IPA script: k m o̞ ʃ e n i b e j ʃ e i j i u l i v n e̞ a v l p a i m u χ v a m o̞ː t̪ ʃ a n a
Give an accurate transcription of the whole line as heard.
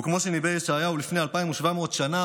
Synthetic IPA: k m o̞ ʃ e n i b e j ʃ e a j a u l i f n e̞ a l p a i m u ʃ v a m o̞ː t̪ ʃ a n a